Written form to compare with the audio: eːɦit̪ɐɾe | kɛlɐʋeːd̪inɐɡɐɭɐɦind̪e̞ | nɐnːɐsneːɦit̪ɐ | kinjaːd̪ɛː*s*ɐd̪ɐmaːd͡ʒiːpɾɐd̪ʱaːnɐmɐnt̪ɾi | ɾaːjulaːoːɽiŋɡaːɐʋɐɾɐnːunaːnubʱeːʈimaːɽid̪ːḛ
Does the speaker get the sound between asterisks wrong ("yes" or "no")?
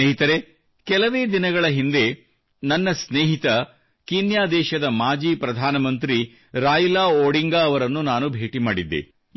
yes